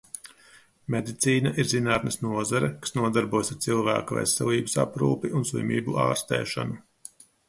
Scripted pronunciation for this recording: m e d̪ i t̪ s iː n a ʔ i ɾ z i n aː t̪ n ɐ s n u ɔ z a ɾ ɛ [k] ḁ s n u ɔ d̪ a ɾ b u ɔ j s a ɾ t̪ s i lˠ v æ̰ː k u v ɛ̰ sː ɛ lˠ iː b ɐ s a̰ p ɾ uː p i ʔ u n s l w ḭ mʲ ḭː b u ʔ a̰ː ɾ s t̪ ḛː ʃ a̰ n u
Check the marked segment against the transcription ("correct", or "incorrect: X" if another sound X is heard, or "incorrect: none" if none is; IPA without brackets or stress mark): correct